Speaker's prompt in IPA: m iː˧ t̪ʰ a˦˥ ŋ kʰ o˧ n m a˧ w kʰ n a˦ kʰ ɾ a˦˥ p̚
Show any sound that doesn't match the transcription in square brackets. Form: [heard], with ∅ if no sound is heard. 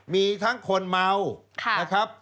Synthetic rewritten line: m iː˧ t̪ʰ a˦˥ ŋ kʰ o˧ n m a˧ w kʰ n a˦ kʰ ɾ a˦˥ p̚